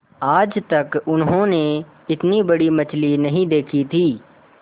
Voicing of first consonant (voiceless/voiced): voiced